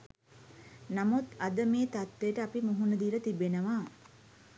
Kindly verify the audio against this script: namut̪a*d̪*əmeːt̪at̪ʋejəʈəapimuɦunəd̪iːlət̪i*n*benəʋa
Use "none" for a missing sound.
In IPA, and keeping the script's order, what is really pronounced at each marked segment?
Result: d̪, none

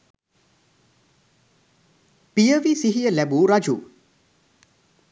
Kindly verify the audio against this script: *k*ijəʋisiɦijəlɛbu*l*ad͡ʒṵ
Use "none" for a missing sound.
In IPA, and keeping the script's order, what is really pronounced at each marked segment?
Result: p, ɾ

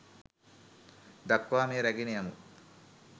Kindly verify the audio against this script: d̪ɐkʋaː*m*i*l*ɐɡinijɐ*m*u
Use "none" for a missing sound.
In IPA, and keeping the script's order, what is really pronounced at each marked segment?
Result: m, ɾ, m

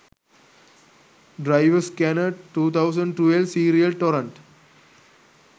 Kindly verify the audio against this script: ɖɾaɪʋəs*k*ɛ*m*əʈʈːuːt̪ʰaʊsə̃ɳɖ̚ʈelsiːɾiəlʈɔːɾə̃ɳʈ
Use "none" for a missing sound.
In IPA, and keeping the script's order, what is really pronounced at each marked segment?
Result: k, n

